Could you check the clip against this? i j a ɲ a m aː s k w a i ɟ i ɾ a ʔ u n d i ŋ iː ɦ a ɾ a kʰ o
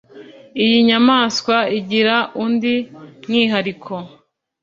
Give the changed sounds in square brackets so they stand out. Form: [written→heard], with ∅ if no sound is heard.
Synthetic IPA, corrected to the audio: i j [a→i] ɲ a m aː s k w a i ɟ i ɾ a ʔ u n d i ŋ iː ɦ a ɾ [a→i] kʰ o